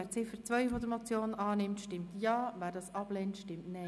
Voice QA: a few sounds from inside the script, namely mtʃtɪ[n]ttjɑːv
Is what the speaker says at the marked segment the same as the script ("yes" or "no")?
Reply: no